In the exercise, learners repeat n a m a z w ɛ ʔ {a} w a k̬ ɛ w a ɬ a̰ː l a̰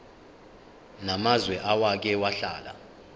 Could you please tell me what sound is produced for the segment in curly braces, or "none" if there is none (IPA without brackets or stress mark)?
a